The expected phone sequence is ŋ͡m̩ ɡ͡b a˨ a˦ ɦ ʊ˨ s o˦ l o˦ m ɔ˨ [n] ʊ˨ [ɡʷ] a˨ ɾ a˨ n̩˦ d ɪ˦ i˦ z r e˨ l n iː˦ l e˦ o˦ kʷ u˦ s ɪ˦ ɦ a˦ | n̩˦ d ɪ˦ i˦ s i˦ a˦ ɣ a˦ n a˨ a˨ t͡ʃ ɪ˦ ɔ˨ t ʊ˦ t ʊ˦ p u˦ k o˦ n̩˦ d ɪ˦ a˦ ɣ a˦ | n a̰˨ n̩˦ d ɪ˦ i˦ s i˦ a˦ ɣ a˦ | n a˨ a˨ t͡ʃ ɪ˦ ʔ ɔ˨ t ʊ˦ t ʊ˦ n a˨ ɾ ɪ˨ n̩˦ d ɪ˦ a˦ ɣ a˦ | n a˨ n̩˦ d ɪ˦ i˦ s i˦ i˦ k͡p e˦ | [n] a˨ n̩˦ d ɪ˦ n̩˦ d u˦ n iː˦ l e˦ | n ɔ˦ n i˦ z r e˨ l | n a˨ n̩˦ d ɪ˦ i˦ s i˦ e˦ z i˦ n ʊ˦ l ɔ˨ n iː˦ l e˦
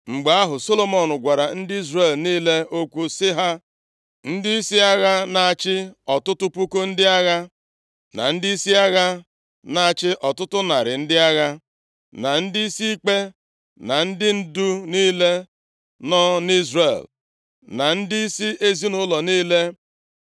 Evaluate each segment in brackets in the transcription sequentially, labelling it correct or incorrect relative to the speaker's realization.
correct, correct, correct

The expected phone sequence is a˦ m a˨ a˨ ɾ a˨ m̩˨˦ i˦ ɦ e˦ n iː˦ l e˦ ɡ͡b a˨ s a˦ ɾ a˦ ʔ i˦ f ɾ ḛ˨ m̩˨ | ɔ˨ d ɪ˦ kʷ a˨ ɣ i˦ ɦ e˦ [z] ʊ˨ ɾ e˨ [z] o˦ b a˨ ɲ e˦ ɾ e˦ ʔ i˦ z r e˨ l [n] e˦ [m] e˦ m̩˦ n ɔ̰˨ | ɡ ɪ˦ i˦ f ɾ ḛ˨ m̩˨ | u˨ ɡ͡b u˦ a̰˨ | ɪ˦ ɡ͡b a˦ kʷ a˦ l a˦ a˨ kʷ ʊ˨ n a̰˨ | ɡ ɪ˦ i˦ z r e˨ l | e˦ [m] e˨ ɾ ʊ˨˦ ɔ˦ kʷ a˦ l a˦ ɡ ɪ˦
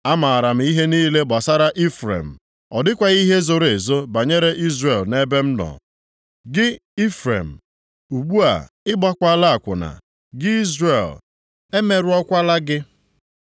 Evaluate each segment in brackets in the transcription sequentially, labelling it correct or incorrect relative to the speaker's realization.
correct, correct, correct, incorrect: b, correct

